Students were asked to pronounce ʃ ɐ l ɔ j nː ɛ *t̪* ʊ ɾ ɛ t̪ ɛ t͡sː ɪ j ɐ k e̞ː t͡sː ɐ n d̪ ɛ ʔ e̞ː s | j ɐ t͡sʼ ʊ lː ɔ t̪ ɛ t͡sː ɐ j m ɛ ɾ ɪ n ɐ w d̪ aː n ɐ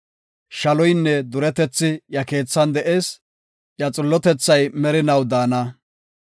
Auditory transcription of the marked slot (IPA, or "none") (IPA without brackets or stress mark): d̪